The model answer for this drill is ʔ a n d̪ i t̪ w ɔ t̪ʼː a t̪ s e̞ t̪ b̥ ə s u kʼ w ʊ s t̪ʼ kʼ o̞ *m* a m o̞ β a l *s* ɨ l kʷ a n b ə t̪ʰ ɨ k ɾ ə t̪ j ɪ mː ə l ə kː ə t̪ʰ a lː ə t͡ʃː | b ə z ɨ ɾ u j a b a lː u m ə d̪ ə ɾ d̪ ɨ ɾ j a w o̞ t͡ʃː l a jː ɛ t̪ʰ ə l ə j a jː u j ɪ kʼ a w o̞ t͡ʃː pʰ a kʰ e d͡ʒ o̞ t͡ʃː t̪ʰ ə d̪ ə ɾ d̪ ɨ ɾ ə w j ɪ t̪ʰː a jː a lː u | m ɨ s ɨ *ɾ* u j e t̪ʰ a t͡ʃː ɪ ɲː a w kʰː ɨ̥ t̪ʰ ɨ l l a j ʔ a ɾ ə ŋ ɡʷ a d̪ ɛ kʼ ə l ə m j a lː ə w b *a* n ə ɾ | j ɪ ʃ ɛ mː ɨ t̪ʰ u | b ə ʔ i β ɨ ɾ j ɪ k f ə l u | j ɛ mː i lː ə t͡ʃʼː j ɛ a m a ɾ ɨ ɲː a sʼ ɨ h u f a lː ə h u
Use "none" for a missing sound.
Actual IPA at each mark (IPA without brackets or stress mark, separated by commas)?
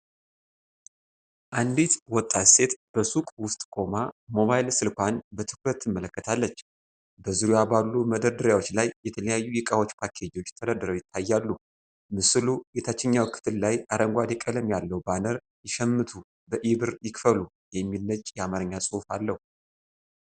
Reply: m, s, l, a